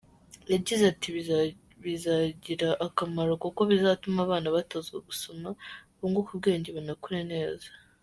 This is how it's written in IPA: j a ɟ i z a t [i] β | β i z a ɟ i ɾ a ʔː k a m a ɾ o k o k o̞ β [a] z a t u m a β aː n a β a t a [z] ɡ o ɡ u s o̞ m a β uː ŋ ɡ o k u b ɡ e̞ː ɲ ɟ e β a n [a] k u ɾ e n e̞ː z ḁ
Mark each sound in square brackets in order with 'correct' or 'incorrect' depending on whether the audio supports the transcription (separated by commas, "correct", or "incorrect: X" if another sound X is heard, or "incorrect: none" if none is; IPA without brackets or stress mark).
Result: correct, incorrect: i, correct, correct